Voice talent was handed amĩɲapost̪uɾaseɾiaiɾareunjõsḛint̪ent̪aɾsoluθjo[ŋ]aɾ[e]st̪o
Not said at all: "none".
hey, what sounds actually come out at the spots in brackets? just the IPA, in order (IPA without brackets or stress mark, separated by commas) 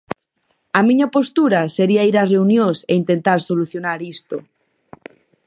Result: n, i